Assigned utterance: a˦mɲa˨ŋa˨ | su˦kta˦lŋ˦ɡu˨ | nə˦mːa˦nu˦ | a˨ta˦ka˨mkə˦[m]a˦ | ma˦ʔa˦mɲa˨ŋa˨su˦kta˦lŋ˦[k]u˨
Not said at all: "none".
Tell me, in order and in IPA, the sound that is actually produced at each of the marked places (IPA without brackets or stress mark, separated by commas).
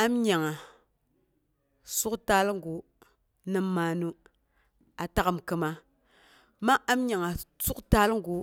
m, ɡ